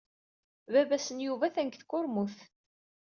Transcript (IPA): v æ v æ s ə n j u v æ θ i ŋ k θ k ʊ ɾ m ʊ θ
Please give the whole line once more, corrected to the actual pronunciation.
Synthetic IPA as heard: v æ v æ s ə n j u v æ θ æ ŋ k θ k ʊ ɾ m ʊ θ